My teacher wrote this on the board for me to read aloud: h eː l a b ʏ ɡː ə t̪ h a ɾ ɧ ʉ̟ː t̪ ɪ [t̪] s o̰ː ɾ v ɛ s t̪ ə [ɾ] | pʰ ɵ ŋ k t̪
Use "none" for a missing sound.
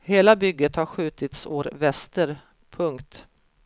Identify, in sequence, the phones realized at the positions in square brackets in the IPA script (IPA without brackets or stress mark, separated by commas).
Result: t̪, ɾ